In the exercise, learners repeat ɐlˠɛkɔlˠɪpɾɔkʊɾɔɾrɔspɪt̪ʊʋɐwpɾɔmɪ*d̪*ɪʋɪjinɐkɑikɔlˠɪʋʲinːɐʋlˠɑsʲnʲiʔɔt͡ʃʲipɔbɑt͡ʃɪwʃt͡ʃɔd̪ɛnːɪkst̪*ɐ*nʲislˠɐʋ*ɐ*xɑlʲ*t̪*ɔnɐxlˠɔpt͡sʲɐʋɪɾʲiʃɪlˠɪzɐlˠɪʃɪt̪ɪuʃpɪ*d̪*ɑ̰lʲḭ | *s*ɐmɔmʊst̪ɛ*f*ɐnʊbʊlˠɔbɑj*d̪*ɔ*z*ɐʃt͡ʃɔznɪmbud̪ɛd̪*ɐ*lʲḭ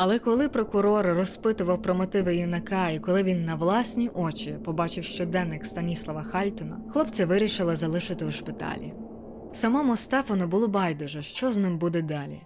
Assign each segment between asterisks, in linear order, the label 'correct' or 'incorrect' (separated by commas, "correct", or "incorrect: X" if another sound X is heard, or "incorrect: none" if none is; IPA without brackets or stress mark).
incorrect: t̪, correct, correct, correct, incorrect: t̪, correct, correct, correct, incorrect: ʒ, incorrect: ɑ